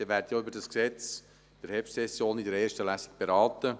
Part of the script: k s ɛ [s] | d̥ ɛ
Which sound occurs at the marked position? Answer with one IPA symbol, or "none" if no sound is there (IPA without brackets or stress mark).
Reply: t͡s